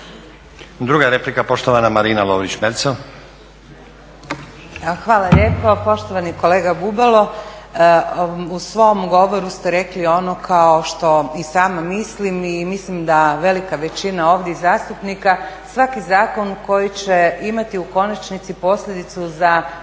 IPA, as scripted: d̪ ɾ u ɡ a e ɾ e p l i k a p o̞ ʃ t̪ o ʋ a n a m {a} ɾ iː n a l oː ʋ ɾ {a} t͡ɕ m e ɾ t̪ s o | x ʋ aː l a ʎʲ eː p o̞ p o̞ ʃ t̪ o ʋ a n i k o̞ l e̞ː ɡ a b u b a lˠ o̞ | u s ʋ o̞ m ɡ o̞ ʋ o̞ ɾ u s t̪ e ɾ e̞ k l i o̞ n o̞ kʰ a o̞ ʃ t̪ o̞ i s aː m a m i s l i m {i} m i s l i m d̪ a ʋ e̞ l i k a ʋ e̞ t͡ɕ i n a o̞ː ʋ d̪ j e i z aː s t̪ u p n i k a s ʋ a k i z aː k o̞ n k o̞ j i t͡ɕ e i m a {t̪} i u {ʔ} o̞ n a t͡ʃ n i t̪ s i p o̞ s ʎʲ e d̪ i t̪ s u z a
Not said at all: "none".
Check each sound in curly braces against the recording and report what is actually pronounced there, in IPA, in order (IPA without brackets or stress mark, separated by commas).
a, i, i, t̪, k